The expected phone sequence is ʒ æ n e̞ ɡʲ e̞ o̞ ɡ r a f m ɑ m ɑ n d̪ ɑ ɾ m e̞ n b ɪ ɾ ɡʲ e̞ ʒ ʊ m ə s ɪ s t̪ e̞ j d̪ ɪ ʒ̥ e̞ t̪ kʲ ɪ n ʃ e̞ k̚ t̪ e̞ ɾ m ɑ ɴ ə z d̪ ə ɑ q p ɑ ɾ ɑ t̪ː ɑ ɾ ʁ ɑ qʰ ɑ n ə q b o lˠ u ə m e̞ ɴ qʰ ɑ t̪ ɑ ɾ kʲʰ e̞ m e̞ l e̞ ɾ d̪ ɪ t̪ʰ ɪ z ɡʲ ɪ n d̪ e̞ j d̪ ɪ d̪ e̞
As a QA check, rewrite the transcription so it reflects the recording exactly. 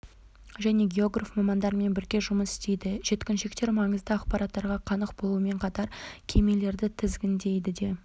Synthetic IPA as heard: ʒ æ n e̞ ɡʲ e̞ o̞ ɡ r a f m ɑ m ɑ n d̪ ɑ ɾ m e̞ n b ɪ ɾ ɡʲ e̞ ʒ ʊ m ə s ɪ s t̪ e̞ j d̪ ɪ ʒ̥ e̞ t̪ kʲ ɪ n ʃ e̞ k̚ t̪ e̞ ɾ m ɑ ɴ ə z d̪ ə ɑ q p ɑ ɾ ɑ t̪ː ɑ ɾ ʁ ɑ qʰ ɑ n ə q b o lˠ u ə m e̞ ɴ qʰ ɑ t̪ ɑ ɾ kʲʰ e̞ m e̞ l e̞ ɾ d̪ ɪ t̪ʰ ɪ z ɡʲ ɪ n d̪ e̞ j d̪ ɪ d̪ e̞

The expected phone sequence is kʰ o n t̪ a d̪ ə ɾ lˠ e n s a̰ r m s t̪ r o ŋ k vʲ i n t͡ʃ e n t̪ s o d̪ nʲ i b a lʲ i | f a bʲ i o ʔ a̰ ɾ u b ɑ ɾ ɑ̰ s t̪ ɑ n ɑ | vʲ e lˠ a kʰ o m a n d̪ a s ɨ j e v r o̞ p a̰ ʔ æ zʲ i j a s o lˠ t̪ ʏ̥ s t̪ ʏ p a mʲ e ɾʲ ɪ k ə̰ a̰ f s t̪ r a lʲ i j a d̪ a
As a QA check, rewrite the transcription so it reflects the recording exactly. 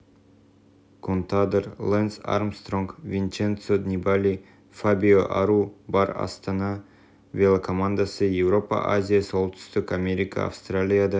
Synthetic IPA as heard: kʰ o n t̪ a d̪ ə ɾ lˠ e n s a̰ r m s t̪ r o ŋ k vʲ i n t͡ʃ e n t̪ s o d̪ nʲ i b a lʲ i | f a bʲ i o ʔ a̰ ɾ u b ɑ ɾ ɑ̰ s t̪ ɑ n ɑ | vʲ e lˠ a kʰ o m a n d̪ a s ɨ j e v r o̞ p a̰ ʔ a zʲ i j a s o lˠ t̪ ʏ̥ s t̪ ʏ k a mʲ e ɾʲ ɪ k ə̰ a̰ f s t̪ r a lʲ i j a d̪ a

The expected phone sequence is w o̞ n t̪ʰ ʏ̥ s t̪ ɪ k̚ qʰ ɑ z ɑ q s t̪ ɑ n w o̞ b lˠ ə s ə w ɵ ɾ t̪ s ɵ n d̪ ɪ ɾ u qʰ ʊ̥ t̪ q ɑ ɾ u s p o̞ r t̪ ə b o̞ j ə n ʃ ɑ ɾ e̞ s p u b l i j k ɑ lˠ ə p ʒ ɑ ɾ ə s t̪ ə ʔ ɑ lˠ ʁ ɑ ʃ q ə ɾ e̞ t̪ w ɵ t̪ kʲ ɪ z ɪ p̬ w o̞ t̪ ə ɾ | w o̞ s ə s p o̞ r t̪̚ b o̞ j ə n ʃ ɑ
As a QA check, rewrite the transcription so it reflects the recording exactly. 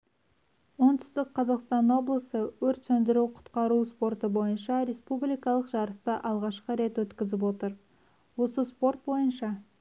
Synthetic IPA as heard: w o̞ n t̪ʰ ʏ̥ s t̪ ɪ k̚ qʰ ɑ z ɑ q s t̪ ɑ n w o̞ b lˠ ə s ə w ɵ ɾ t̪ s ɵ n d̪ ɪ ɾ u qʰ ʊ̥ t̪ q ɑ ɾ u s p o̞ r t̪ ə b o̞ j ə n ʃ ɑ ɾ e̞ s p u b l i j k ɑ lˠ ə q ʒ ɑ ɾ ə s t̪ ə ʔ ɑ lˠ ʁ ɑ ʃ q ə ɾ e̞ t̪ w ɵ t̪ kʲ ɪ z ɪ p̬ w o̞ t̪ ə ɾ | w o̞ s ə s p o̞ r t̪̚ b o̞ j ə n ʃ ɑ

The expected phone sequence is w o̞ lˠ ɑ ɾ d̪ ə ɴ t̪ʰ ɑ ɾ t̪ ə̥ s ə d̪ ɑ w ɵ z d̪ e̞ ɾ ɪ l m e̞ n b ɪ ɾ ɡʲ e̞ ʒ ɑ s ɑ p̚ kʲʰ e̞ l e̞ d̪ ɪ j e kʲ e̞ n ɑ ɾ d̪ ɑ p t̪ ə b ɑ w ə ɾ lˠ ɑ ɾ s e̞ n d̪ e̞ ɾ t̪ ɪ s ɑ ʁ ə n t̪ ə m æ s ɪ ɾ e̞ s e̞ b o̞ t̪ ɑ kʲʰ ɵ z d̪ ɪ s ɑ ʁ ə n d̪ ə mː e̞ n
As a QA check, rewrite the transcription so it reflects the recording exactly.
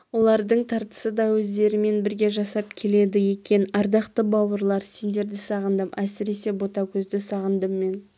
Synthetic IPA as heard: w o̞ lˠ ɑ ɾ d̪ ə ɴ t̪ʰ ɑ ɾ t̪ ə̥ s ə d̪ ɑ w ɵ z d̪ e̞ ɾ ɪ m e̞ n b ɪ ɾ ɡʲ e̞ ʒ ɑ s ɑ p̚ kʲʰ e̞ l e̞ d̪ ɪ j e kʲ e̞ n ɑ ɾ d̪ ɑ q t̪ ə b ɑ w ə ɾ lˠ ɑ ɾ s e̞ n d̪ e̞ ɾ d̪ ɪ s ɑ ʁ ə n d̪ ə m æ s ɪ ɾ e̞ s e̞ b o̞ t̪ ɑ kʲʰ ɵ z d̪ ɪ s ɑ ʁ ə n d̪ ə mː e̞ n

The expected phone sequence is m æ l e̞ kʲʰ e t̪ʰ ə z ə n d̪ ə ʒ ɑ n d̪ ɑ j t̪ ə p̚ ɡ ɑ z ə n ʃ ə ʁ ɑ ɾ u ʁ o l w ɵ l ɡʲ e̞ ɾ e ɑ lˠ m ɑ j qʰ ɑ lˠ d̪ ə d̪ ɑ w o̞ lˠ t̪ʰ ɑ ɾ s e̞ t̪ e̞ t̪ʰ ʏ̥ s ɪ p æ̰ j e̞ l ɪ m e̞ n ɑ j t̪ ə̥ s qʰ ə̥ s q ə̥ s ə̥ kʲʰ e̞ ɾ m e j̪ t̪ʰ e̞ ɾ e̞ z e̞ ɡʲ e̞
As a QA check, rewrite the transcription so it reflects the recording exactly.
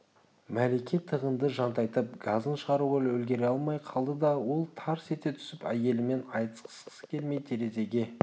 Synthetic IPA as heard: m æ l e̞ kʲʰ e t̪ʰ ə ʁ ə n d̪ ə ʒ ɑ n t̪ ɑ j t̪ ə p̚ ɡ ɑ z ə n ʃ ə ʁ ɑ ɾ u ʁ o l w ɵ l ɡʲ e̞ ɾ e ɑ lˠ m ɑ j qʰ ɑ lˠ d̪ ə d̪ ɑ w o̞ lˠ t̪ʰ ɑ ɾ s e̞ t̪ e̞ t̪ʰ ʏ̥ s ɪ p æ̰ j e̞ l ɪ m e̞ n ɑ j t̪ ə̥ s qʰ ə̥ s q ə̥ s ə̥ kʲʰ e̞ l m e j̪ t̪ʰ e̞ ɾ e̞ z e̞ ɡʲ e̞

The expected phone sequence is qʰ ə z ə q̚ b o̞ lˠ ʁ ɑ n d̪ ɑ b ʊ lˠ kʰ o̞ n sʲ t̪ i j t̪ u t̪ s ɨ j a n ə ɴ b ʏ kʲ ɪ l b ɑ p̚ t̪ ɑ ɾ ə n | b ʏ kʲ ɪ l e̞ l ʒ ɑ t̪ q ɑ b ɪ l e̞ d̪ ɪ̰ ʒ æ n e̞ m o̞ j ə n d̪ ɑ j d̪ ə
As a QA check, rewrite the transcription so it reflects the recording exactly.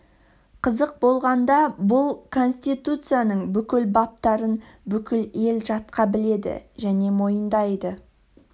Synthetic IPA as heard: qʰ ə z ə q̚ b o̞ lˠ ʁ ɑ n d̪ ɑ b ʊ lˠ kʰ o̞ n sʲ t̪ i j t̪ u t̪ s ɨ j a n ə ɴ b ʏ kʲ ɪ l b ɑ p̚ t̪ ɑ ɾ ə n | b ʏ kʲ ɪ l e̞ l ʒ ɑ t̪ q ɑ b ɪ l e̞ d̪ ɪ̰ ʒ æ n e̞ m o̞ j ə n d̪ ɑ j d̪ ə

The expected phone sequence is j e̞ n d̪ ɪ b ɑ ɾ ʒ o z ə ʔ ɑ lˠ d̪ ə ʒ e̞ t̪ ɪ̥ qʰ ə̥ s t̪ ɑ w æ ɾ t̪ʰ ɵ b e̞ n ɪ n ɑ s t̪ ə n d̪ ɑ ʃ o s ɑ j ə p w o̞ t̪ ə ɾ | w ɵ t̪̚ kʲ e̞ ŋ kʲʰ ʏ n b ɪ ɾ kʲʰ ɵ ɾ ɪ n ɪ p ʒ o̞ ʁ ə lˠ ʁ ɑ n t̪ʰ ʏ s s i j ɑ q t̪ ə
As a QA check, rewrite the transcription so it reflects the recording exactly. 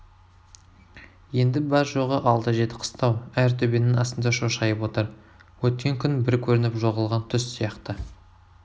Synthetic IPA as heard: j e̞ n d̪ ɪ b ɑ ɾ ʒ o ʁ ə ʔ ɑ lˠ t̪ ə ʒ e̞ t̪ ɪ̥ qʰ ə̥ s t̪ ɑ w æ ɾ t̪ʰ ɵ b e̞ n ɪ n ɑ s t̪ ə n d̪ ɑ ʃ o ʃ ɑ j ə p w o̞ t̪ ə ɾ | w ɵ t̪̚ kʲ e̞ ŋ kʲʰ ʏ n b ɪ ɾ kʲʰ ɵ ɾ ɪ n ɪ p ʒ o̞ ʁ ə lˠ ʁ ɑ n t̪ʰ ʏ s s i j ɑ q t̪ ə

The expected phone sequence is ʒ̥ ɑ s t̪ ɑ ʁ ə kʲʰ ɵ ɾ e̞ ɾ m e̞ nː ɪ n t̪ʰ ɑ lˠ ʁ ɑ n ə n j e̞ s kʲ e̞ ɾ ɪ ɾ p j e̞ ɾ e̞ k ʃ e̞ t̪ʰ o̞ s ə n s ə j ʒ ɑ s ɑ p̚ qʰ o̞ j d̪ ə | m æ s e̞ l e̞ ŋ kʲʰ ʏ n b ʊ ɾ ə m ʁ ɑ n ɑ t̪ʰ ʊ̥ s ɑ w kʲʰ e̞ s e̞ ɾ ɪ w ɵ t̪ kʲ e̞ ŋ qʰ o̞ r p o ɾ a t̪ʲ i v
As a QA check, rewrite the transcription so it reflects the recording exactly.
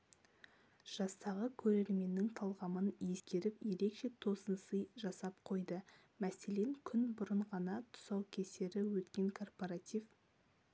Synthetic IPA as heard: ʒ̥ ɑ s t̪ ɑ ʁ ə kʲʰ ɵ ɾ e̞ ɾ m e̞ nː ɪ ŋ t̪ʰ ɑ lˠ ʁ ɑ m ə n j e̞ s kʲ e̞ ɾ ɪ p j e̞ ɾ e̞ k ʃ e̞ t̪ʰ o̞ s ə n s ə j ʒ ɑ s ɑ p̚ qʰ o̞ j d̪ ə | m æ s e̞ l e̞ ŋ kʲʰ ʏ n b ʊ ɾ ə ɴ ʁ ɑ n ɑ t̪ʰ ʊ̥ s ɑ w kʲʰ e̞ s e̞ ɾ ɪ w ɵ t̪ kʲ e̞ ŋ kʰ o̞ r p o ɾ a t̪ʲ i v

